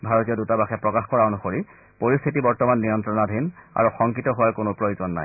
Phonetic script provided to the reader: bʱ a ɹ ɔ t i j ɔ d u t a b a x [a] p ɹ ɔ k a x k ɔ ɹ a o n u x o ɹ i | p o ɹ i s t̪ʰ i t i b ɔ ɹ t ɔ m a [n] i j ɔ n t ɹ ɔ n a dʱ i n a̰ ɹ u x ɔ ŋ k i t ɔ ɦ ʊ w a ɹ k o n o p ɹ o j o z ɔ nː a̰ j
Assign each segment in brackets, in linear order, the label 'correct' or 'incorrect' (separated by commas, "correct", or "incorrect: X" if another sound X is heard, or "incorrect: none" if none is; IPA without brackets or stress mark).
incorrect: ɛ, incorrect: nː